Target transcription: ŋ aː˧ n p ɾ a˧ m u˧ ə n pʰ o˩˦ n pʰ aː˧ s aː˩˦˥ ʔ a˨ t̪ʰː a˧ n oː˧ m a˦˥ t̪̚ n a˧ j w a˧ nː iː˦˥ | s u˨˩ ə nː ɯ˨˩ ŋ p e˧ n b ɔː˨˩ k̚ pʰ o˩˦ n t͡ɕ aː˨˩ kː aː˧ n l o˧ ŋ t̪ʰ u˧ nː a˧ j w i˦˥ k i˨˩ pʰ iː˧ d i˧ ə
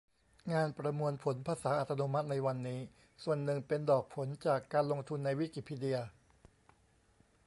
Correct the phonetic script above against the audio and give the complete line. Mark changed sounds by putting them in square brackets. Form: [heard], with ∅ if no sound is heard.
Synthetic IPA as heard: ŋ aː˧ n p ɾ a˧ m u˧ ə n pʰ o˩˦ n pʰ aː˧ s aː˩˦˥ ʔ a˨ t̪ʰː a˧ n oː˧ m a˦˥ t̪̚ n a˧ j w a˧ nː iː˦˥ | s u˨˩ ə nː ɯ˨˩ ŋ p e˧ n [d] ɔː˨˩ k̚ pʰ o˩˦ n t͡ɕ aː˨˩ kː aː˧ n l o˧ ŋ t̪ʰ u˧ nː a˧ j w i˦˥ k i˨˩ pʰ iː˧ d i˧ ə